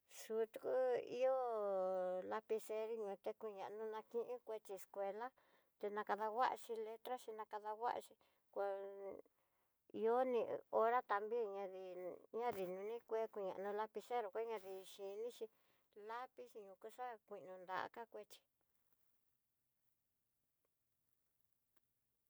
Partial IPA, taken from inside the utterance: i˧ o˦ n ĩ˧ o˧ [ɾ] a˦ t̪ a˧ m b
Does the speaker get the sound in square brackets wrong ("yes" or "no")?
no